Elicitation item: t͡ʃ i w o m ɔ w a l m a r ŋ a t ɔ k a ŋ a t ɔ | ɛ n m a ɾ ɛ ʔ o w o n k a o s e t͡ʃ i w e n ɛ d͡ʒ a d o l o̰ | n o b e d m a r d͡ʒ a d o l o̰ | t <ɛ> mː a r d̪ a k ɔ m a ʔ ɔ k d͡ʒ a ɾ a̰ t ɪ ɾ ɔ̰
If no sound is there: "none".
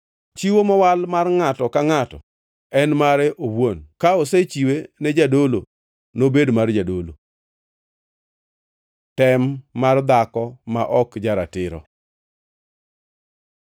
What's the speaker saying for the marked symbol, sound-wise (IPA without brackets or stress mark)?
ɛ